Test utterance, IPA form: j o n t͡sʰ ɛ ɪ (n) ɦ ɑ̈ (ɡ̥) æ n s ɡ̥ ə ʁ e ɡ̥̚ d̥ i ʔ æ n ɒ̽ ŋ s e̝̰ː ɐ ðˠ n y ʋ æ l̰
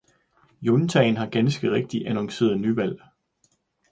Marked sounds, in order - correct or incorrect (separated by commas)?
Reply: correct, correct